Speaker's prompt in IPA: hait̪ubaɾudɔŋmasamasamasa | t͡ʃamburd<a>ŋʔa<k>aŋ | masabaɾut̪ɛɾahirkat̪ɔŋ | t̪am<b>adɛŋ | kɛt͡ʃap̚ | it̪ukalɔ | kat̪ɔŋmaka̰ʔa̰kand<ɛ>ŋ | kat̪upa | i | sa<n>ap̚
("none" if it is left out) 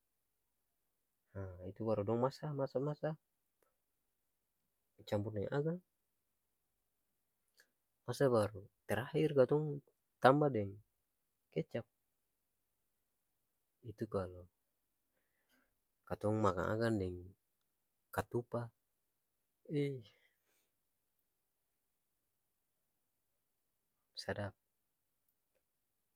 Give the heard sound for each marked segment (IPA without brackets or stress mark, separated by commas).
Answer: ɛ, ɡ, b, ɛ, d